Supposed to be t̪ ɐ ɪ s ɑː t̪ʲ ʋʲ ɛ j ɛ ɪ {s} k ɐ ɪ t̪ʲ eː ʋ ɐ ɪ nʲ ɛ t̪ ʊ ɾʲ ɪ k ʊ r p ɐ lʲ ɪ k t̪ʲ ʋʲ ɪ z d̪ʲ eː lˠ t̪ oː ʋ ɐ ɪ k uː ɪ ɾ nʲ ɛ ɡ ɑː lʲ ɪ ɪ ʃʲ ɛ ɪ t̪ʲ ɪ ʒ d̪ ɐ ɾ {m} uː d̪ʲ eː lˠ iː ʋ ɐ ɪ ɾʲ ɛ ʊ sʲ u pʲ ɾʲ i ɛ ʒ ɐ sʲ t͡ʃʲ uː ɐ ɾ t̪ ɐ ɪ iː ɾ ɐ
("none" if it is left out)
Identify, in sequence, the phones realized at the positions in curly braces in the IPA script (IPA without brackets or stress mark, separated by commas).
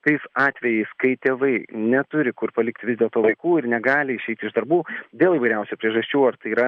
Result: s, b